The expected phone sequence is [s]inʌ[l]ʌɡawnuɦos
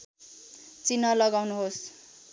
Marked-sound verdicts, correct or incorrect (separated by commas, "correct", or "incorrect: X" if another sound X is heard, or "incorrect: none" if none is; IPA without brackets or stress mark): incorrect: t͡s, correct